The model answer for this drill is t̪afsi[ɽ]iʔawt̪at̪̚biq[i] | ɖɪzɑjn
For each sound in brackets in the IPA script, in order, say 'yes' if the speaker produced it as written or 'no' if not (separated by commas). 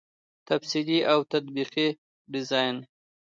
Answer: no, yes